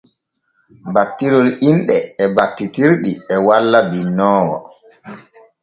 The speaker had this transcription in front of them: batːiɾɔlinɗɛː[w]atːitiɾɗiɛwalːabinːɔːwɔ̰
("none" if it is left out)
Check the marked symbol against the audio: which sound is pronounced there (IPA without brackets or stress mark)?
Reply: b